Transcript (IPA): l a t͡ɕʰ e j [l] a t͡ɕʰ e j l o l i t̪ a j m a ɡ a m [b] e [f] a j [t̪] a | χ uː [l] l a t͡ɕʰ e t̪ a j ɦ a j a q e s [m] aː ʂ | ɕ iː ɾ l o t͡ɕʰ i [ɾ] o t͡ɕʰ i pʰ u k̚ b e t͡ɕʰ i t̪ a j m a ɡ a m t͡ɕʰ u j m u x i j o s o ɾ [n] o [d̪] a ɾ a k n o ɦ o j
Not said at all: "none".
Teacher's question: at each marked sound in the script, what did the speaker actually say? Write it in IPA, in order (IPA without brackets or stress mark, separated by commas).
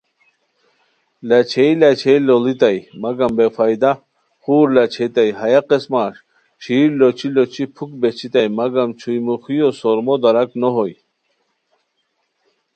l, b, f, d̪, ɾ, m, l, m, d̪